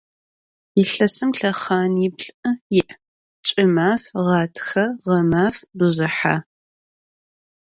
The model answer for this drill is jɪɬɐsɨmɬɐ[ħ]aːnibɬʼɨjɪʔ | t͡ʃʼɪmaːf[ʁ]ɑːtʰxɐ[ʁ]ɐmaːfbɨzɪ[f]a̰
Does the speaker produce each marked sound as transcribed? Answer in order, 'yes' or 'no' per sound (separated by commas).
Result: no, yes, yes, no